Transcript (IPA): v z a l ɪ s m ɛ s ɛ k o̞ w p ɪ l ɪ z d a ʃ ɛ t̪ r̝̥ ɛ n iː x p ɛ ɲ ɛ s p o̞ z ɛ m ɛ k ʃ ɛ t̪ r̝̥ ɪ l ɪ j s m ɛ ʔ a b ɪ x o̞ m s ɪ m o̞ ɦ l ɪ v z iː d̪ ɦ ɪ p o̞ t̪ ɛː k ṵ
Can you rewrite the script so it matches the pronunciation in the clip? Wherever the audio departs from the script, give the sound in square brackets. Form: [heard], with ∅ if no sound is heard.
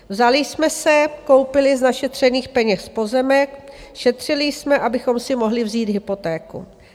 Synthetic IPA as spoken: v z a l ɪ s m ɛ s ɛ k o̞ w p ɪ l ɪ z [n] a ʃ ɛ t̪ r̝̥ ɛ n iː x p ɛ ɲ ɛ s p o̞ z ɛ m ɛ k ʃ ɛ t̪ r̝̥ ɪ l ɪ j s m ɛ ʔ a b ɪ x o̞ m s ɪ m o̞ ɦ l ɪ v z iː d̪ ɦ ɪ p o̞ t̪ ɛː k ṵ